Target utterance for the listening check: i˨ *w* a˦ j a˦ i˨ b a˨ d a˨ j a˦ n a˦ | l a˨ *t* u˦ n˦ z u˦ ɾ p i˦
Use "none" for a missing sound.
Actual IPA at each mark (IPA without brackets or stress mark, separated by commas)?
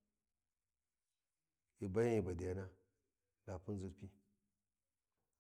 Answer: b, p